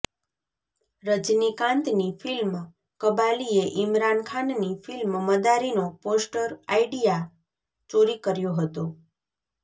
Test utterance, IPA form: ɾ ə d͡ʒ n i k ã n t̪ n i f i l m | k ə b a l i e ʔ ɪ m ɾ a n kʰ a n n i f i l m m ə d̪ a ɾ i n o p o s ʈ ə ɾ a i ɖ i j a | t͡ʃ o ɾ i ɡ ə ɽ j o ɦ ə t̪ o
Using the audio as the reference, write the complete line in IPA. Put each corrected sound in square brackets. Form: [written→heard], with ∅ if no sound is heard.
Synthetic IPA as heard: ɾ ə d͡ʒ n i k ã n t̪ n i f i l m | k ə b a l i e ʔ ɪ m ɾ a n kʰ a n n i f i l m m ə d̪ a ɾ i n o p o s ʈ ə ɾ a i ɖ i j a | t͡ʃ o ɾ i [ɡ→k] ə [ɽ→ɾ] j o ɦ ə t̪ o